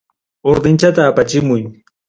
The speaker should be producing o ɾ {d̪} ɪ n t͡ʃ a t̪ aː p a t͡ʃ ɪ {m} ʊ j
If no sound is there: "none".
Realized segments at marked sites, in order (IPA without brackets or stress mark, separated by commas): d̪, m